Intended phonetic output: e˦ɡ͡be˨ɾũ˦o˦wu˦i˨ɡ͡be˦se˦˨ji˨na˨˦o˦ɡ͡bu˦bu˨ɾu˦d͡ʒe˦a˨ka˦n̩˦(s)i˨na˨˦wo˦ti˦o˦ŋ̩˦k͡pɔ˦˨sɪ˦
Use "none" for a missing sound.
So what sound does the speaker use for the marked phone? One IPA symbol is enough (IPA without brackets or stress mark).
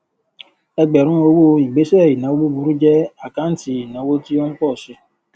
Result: t